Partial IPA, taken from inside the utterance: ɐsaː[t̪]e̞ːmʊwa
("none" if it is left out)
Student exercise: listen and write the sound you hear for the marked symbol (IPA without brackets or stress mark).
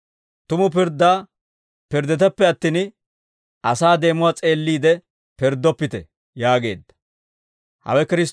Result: d̪